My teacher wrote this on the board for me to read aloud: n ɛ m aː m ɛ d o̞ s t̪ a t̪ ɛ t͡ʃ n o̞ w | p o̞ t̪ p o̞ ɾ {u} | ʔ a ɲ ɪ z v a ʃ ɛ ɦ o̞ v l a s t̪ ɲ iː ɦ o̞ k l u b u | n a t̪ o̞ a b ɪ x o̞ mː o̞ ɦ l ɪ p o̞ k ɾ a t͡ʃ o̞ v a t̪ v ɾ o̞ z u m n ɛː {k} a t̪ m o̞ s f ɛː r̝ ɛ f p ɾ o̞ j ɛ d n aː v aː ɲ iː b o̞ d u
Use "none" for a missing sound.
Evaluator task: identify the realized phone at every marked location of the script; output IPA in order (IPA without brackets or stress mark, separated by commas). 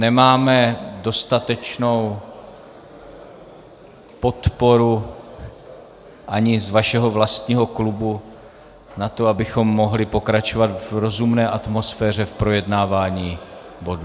u, ʔ